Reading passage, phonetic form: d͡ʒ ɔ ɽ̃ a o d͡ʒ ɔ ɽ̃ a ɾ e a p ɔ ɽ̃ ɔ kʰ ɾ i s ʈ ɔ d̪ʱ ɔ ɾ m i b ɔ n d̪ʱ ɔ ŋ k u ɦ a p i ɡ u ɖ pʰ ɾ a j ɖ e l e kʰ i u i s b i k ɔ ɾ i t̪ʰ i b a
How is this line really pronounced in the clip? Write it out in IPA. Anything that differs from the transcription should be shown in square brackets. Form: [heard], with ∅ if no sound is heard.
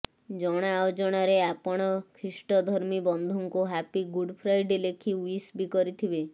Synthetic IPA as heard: d͡ʒ ɔ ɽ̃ a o d͡ʒ ɔ ɽ̃ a ɾ e a p ɔ ɽ̃ ɔ kʰ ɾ i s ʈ ɔ d̪ʱ ɔ ɾ m i b ɔ n d̪ʱ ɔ ŋ k u ɦ a p i ɡ u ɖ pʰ ɾ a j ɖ e l e kʰ i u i s b i k ɔ ɾ i t̪ʰ i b [e]